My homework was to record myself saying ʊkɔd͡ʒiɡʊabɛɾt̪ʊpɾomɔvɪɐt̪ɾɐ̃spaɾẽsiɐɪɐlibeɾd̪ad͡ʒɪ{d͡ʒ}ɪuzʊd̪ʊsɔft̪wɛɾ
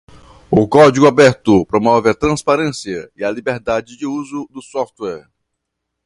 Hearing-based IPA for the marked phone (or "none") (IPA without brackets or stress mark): d͡ʒ